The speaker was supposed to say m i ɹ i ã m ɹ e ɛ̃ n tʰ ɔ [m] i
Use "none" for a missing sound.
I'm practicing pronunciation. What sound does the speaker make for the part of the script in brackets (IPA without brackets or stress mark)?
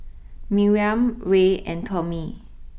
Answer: m